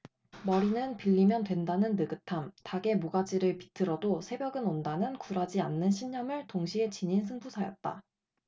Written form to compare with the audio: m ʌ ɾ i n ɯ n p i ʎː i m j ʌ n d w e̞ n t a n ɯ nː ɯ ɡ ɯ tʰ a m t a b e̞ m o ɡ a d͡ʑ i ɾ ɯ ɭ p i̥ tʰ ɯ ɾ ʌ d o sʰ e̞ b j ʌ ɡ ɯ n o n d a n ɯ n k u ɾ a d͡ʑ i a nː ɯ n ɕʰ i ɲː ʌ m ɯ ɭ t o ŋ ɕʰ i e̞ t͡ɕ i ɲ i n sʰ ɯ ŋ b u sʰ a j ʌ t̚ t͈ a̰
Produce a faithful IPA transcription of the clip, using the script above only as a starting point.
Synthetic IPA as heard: m ʌ ɾ i n ɯ n p i ʎː i m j ʌ n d w e̞ n d a n ɯ nː ɯ ɡ ɯ tʰ a m t a ɡ e̞ m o ɡ a d͡ʑ i ɾ ɯ ɭ p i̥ tʰ ɯ ɾ ʌ d o sʰ e̞ b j ʌ ɡ ɯ n o n d a n ɯ n k u ɾ a d͡ʑ i a nː ɯ n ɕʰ i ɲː ʌ m ɯ ɭ t o ŋ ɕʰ i e̞ t͡ɕ i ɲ i n sʰ ɯ ŋ b u sʰ a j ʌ t̚ t͈ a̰

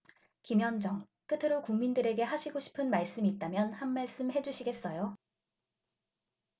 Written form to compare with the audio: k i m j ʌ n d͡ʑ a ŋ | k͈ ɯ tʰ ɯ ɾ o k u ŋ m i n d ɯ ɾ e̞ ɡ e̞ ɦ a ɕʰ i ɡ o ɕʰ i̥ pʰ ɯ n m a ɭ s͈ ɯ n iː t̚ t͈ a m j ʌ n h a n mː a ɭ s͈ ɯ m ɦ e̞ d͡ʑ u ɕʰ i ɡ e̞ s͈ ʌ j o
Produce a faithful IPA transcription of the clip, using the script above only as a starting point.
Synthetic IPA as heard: k i m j ʌ n d͡ʑ ʌ ŋ | k͈ ɯ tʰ ɯ ɾ o k u ŋ m i n d ɯ ɾ e̞ ɡ e̞ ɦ a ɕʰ i ɡ o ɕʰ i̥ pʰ ɯ n m a ɭ s͈ ɯ m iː t̚ t͈ a m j ʌ n h a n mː a ɭ s͈ ɯ m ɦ e̞ d͡ʑ u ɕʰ i ɡ e̞ s͈ ʌ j o

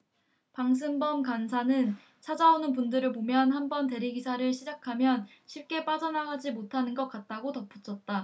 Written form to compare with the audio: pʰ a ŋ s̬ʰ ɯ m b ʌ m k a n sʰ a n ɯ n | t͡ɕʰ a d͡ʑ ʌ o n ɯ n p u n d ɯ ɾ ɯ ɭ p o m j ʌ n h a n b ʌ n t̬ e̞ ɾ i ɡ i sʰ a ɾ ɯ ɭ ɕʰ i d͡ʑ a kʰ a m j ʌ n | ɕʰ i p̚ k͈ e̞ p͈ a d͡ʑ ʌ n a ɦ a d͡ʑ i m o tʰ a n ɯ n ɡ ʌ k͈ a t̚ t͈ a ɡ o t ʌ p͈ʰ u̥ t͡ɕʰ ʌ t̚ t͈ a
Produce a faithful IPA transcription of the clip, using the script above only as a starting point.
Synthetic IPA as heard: p a ŋ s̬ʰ ɯ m b ʌ m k a n sʰ a n ɯ n | t͡ɕʰ a d͡ʑ a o n ɯ n p u n d ɯ ɾ ɯ ɭ p o m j ʌ n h a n b ʌ n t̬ e̞ ɾ i ɡ i sʰ a ɾ ɯ ɭ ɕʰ i d͡ʑ a kʰ a m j ʌ n | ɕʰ i p̚ k͈ e̞ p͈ a d͡ʑ ʌ n a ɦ a d͡ʑ i m o tʰ a n ɯ n ɡ ʌ k͈ a t̚ t͈ a ɡ o t ʌ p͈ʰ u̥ t͡ɕʰ ʌ t̚ t͈ a

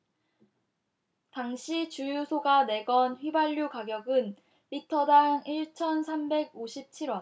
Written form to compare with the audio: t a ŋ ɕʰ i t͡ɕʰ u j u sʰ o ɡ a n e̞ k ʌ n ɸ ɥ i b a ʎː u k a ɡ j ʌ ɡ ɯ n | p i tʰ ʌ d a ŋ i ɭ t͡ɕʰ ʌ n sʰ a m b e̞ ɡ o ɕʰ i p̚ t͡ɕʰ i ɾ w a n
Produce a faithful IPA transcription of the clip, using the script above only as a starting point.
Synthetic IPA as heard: t a ŋ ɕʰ i t͡ɕ u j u sʰ o ɡ a n e̞ ɡ ʌ n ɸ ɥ i b a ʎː u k a ɡ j ʌ ɡ ɯ n | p i tʰ ʌ d a ŋ i ɭ t͡ɕʰ ʌ n sʰ a m b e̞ ɡ o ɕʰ i p̚ t͡ɕʰ i ɾ w ʌ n

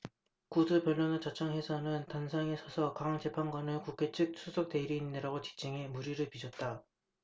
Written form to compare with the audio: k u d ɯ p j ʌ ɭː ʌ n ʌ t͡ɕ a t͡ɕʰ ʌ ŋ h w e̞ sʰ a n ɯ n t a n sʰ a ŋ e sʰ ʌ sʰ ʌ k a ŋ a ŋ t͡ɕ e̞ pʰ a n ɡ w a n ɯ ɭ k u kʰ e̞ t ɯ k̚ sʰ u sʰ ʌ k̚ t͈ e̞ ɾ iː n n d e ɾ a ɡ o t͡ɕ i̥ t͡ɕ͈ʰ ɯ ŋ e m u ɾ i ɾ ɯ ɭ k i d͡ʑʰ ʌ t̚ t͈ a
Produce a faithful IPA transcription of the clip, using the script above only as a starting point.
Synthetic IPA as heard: k u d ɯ p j ʌ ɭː ʌ n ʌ t͡ɕ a t͡ɕʰ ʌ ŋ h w e̞ sʰ a n ɯ n t a n sʰ a ŋ e sʰ ʌ sʰ ʌ k a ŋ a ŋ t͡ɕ e̞ pʰ a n ɡ w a n ɯ ɭ k u kʰ e̞ t͡ɕʰ ɯ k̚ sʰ u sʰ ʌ k̚ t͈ e̞ ɾ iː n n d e ɾ a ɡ o t͡ɕ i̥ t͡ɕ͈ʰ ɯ ŋ e m u ɾ i ɾ ɯ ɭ p i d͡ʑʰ ʌ t̚ t͈ a

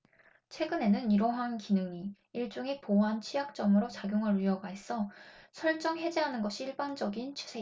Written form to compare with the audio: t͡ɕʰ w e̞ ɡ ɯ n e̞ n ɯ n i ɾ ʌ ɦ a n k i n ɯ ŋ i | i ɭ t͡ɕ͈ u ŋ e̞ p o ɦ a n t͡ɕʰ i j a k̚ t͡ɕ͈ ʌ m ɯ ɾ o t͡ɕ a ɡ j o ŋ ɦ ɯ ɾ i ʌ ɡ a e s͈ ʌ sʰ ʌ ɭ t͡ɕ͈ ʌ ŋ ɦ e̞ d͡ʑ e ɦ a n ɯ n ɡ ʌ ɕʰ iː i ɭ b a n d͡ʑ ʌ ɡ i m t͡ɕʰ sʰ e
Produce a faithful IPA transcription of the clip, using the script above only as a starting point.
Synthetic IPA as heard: t͡ɕʰ w e̞ ɡ ɯ n e̞ n ɯ n i ɾ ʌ ɦ a n k i n ɯ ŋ i | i ɭ t͡ɕ͈ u ŋ e̞ p o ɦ a n t͡ɕʰ i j a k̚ t͡ɕ͈ ʌ m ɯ ɾ o t͡ɕ a ɡ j o ŋ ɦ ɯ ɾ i ʌ ɡ a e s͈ ʌ sʰ ʌ ɭ t͡ɕ͈ ʌ ŋ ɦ e̞ d͡ʑ e ɦ a n ɯ n ɡ ʌ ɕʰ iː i ɭ b a n d͡ʑ ʌ ɡ i n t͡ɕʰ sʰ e

